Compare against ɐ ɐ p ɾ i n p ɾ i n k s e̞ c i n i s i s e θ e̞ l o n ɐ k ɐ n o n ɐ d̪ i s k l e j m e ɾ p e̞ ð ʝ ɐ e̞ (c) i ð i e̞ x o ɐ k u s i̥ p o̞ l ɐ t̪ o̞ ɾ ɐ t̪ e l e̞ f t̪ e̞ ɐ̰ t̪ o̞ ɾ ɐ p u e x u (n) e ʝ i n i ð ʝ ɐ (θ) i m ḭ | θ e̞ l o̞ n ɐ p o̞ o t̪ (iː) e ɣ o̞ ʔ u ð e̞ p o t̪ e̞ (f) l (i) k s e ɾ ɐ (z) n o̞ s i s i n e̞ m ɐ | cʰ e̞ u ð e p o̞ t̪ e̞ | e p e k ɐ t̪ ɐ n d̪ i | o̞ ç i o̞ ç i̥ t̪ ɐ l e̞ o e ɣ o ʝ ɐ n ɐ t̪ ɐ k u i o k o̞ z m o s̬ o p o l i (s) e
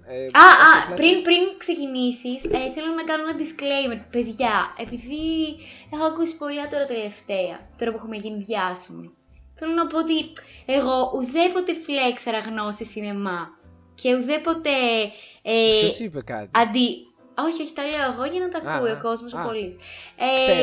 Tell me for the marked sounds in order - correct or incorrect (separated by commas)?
incorrect, incorrect, incorrect, incorrect, correct, incorrect, incorrect, correct